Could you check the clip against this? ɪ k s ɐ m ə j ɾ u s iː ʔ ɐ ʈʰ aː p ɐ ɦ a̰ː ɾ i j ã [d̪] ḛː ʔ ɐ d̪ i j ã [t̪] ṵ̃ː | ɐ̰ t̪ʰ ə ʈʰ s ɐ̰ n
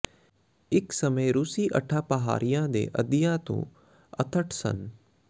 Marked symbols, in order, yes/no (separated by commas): yes, yes